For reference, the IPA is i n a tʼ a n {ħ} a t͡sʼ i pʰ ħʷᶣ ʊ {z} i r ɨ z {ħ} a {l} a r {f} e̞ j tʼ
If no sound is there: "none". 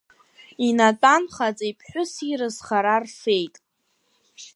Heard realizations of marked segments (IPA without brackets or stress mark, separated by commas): χ, s, χ, ɾ, f